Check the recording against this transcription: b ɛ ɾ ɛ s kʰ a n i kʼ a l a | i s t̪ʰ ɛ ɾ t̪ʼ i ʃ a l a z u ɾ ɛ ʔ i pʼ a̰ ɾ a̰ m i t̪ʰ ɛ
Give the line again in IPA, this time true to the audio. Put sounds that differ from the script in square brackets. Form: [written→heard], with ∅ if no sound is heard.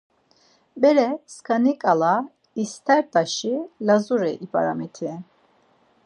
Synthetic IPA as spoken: b ɛ ɾ ɛ s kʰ a n i kʼ a l a | i s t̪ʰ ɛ ɾ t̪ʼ [i→a] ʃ [a→i] l a z u ɾ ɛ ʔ i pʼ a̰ ɾ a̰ m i t̪ʰ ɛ

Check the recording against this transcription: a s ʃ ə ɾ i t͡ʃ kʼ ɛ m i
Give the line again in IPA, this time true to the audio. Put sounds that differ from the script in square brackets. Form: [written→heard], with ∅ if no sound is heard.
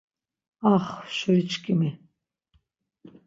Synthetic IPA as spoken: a [s→χ] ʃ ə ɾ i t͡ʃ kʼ [ɛ→i] m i

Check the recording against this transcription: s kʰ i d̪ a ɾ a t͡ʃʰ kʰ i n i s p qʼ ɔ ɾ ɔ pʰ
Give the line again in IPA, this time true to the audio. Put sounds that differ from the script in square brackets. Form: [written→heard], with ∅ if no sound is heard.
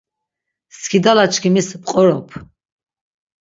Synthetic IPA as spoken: s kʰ i d̪ a [ɾ→l] a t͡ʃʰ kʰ i [n→m] i s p qʼ ɔ ɾ ɔ pʰ

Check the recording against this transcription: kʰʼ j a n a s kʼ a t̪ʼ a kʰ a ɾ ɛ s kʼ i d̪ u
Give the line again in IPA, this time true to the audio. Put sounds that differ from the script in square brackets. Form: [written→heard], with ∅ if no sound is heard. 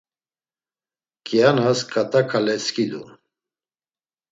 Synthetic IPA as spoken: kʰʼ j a n a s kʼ a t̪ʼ a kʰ a [ɾ→l] ɛ s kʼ i d̪ u

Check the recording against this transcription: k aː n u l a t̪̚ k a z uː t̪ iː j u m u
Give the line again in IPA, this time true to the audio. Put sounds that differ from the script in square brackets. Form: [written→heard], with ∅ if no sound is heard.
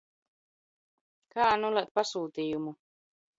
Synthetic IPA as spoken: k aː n u l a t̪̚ [k→p] a [z→s] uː t̪ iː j u m u

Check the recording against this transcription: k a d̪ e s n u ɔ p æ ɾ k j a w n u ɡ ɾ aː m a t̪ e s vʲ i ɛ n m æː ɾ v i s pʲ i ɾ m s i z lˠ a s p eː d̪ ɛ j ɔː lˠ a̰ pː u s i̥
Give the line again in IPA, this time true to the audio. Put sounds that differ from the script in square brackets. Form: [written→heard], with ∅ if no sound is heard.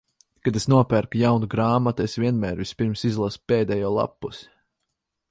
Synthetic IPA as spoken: k a d̪ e s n u ɔ p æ ɾ k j a w n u ɡ ɾ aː m a t̪ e s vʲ i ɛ n m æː ɾ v i s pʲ i ɾ m s i z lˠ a s p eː d̪ ɛ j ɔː lˠ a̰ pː u s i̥

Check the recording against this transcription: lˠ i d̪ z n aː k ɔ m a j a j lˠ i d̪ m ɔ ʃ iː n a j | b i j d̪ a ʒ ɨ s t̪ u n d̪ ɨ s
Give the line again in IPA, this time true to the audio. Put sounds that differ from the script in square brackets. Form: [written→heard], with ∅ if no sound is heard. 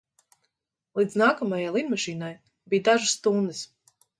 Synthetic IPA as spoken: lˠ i d̪ z n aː k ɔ m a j a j lˠ i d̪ m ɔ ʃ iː n a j | b i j d̪ a ʒ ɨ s t̪ u n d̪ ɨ s

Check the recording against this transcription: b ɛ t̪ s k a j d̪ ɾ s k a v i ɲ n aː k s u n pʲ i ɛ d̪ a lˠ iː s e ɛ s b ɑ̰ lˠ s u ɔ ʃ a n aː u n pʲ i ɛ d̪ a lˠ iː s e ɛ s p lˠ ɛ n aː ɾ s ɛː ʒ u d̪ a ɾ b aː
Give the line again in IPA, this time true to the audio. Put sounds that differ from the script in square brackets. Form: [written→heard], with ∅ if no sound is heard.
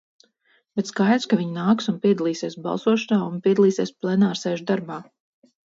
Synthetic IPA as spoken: b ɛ t̪ s k a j d̪ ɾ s k a v i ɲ n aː k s u n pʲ i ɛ d̪ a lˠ iː s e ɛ s b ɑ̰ lˠ s u ɔ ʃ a n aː u n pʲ i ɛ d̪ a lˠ iː s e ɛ s p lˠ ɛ n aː ɾ s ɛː ʒ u d̪ a ɾ b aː

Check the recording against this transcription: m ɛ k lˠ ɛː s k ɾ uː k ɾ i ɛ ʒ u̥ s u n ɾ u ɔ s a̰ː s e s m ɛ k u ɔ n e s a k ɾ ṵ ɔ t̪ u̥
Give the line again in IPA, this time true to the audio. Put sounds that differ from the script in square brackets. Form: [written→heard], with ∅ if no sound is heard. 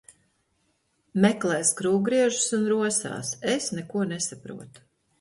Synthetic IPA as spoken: m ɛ k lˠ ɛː s k ɾ uː [k→ɡ] ɾ i ɛ ʒ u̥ s u n ɾ u ɔ s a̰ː s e s [m→n] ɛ k u ɔ n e s a [k→p] ɾ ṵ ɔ t̪ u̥

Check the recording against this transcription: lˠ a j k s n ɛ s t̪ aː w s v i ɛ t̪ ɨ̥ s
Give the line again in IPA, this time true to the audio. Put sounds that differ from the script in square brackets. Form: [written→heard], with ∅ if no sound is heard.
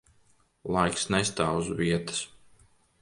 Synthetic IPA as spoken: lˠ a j k s n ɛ s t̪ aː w [s→z] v i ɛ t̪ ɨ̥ s

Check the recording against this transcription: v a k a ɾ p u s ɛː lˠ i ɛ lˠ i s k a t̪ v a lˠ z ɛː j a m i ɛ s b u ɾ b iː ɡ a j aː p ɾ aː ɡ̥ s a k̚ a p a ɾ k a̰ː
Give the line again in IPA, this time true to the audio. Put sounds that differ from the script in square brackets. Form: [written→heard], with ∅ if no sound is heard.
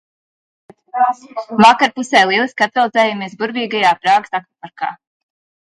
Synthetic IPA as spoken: v a k a ɾ p u s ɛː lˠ i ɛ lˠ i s k a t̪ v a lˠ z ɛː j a m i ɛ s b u ɾ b iː ɡ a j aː p ɾ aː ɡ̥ s a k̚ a p a ɾ k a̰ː

